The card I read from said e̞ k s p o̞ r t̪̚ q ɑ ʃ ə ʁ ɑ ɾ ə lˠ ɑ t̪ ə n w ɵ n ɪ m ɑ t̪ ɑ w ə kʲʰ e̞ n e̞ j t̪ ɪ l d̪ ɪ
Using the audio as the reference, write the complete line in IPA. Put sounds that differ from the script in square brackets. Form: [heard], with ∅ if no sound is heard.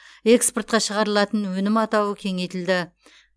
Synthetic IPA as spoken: e̞ k s p o̞ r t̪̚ q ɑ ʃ ə ʁ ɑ ɾ ə lˠ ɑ t̪ ə n w ɵ n ɪ m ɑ t̪ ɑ w ə kʲʰ e̞ [ŋ] e̞ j t̪ ɪ l d̪ ɪ